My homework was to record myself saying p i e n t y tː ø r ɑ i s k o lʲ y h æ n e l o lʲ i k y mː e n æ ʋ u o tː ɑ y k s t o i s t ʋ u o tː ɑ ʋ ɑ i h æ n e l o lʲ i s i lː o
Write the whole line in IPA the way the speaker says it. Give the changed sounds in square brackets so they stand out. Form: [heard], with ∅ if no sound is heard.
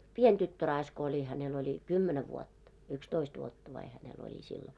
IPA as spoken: p i e n t y tː ø r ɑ i s k o lʲ [i] h æ n e l o lʲ i k y mː e n æ ʋ u o tː ɑ y k s t o i s t ʋ u o tː ɑ ʋ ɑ i h æ n e l o lʲ i s i lː o